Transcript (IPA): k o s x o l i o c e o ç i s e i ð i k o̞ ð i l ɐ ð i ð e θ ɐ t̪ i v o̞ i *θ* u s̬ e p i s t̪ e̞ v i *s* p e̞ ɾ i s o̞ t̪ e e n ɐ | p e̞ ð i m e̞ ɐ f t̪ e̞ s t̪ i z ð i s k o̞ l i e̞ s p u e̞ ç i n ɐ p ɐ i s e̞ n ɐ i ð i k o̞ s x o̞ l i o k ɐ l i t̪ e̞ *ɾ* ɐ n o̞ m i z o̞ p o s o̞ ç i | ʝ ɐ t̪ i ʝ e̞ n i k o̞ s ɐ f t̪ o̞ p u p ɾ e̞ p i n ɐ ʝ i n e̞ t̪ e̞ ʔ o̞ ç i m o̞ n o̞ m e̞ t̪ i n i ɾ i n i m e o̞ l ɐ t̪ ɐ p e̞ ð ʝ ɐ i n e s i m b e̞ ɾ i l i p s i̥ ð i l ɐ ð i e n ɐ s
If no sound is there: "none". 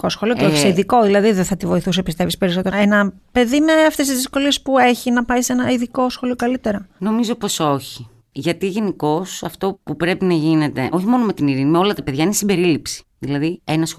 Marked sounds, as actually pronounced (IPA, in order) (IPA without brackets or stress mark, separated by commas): θ, s, ɾ